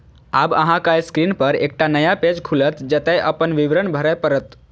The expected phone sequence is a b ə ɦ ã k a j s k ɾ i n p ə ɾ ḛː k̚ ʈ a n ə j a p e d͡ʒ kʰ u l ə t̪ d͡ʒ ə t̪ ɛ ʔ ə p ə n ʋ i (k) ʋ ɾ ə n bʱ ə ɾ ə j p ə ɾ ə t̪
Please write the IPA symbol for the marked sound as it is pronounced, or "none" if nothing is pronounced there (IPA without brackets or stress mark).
none